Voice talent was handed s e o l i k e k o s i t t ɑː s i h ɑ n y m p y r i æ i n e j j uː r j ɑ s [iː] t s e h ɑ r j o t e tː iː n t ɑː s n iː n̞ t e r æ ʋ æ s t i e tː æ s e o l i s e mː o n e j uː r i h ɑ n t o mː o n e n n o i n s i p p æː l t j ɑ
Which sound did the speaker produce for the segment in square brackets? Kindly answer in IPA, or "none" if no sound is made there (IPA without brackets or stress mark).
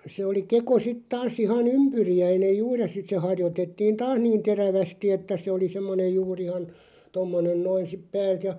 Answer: i